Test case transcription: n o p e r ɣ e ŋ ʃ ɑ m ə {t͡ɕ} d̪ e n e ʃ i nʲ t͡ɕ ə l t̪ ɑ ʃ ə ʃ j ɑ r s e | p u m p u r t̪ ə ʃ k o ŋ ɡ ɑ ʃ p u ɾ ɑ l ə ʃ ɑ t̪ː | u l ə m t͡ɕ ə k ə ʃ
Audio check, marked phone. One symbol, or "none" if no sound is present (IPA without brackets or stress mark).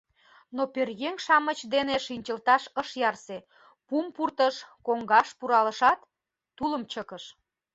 t͡ɕ